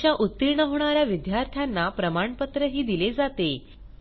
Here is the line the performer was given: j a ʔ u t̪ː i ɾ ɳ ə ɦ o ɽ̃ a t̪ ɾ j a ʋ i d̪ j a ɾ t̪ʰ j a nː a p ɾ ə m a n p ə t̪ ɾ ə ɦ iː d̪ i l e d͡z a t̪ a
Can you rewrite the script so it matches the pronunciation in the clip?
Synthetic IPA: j a ʔ u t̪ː i ɾ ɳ ə ɦ o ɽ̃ a ɾ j a ʋ i d̪ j a ɾ t̪ʰ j a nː a p ɾ ə m a ɳ p ə t̪ ɾ ə ɦ iː d̪ i l e d͡z a t̪ e